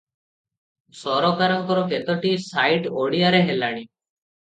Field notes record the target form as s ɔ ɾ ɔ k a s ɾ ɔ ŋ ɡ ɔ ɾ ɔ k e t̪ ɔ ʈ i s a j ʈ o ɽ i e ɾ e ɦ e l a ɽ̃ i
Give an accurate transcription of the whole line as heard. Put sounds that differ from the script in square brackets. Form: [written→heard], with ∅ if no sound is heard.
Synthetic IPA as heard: s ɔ ɾ ɔ k a [s→∅] ɾ ɔ ŋ [ɡ→k] ɔ ɾ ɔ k e t̪ ɔ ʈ i s a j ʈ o ɽ i [e→a] ɾ e ɦ e l a ɽ̃ i

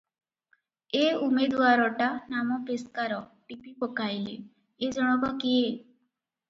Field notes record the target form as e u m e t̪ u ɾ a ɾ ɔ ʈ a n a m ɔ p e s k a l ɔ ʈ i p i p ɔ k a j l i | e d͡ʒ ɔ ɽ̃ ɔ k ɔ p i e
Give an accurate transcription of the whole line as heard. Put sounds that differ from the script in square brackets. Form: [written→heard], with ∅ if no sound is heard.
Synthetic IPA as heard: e u m e [t̪→d̪] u [ɾ→∅] a ɾ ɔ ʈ a n a m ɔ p e s k a [l→ɾ] ɔ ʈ i p i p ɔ k a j l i | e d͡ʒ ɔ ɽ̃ ɔ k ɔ [p→k] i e

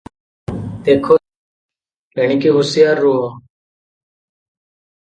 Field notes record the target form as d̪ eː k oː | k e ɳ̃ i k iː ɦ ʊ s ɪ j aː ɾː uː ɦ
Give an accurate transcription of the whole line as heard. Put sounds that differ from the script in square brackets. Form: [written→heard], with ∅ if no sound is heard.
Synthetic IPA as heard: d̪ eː [k→kʰ] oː | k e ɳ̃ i k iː ɦ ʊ s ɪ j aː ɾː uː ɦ

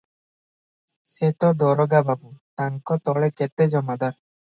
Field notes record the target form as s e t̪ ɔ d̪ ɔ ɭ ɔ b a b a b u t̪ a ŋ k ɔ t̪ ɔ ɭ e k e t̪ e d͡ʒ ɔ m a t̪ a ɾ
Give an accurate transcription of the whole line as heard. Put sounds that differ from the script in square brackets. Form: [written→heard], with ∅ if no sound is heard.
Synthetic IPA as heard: s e t̪ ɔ d̪ ɔ [ɭ→ɾ] ɔ [b→ɡ] a b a b u t̪ a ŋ k ɔ t̪ ɔ ɭ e k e t̪ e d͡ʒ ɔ m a [t̪→d̪] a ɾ

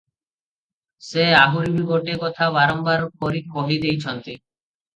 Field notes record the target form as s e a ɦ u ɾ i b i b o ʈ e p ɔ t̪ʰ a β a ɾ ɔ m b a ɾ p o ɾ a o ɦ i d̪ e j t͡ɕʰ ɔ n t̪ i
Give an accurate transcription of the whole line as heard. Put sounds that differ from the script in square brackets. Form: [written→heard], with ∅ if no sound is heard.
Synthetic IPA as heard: s e a ɦ u ɾ i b i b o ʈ e [p→k] ɔ t̪ʰ a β a ɾ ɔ m b a ɾ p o ɾ [a→i] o ɦ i d̪ e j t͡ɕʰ ɔ n t̪ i

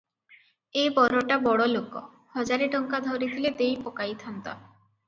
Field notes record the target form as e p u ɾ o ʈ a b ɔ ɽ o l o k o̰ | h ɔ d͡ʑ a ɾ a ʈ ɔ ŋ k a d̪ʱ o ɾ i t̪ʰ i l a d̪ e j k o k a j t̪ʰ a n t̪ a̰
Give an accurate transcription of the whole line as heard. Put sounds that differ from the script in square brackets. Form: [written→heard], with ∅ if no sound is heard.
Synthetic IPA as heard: e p [u→ɔ] ɾ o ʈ a b ɔ ɽ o l o k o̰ | h ɔ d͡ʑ a ɾ [a→e] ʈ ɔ ŋ k a d̪ʱ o ɾ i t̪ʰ i l [a→e] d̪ e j [k→p] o k a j t̪ʰ a n t̪ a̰

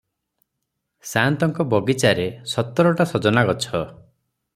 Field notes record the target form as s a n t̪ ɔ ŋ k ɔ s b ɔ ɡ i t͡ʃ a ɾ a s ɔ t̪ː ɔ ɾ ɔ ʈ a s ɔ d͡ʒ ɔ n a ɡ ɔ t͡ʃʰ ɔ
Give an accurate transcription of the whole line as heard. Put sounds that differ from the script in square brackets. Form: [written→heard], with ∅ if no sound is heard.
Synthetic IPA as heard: s a n t̪ ɔ ŋ k ɔ [s→∅] b ɔ ɡ i t͡ʃ a ɾ [a→e] s ɔ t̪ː ɔ ɾ ɔ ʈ a s ɔ d͡ʒ ɔ n a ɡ ɔ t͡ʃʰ ɔ

